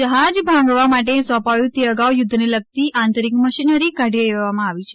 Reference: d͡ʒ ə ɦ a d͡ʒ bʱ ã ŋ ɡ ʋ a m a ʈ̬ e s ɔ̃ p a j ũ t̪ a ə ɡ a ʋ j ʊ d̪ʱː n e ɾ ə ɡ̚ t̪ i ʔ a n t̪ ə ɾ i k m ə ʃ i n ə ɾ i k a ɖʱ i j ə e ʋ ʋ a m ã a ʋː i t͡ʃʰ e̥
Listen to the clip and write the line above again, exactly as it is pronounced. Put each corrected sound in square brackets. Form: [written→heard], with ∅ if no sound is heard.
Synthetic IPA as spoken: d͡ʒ ə ɦ a d͡ʒ bʱ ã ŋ ɡ ʋ a m a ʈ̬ e s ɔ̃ p a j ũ t̪ [a→e] ə ɡ a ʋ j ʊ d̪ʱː n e [ɾ→l] ə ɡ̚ t̪ i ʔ a n t̪ ə ɾ i k m ə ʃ i n ə ɾ i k a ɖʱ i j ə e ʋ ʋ a m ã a [ʋː→ʋ] i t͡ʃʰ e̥

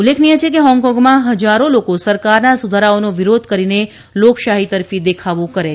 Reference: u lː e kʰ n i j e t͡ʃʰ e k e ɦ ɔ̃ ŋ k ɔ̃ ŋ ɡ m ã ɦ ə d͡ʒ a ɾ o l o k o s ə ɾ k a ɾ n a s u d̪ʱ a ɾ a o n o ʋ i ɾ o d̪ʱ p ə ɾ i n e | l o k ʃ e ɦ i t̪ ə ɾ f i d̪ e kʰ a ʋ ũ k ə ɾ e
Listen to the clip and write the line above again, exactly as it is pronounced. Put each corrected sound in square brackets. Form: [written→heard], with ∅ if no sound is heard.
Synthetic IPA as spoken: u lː e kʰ n i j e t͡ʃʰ e k e ɦ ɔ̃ ŋ k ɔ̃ ŋ ɡ m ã ɦ ə d͡ʒ a ɾ o l o k o s ə ɾ k a ɾ n a s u d̪ʱ a ɾ a o n o ʋ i ɾ o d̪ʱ [p→k] ə ɾ i n e | l o k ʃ [e→a] ɦ i t̪ ə ɾ f i d̪ e kʰ a ʋ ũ k ə ɾ e

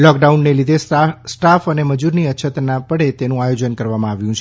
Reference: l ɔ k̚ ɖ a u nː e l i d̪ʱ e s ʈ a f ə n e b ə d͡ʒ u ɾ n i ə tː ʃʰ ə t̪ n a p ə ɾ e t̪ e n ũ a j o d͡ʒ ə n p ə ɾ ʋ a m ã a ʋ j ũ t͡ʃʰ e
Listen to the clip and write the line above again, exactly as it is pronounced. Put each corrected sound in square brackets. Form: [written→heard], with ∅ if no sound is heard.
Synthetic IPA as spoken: l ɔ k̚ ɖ a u nː e l i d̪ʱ e s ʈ a f ə n e [b→m] ə d͡ʒ u ɾ n i ə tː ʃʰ ə t̪ n a p ə [ɾ→ɽ] e t̪ e n ũ a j o d͡ʒ ə n [p→k] ə ɾ ʋ a m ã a ʋ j ũ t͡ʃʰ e

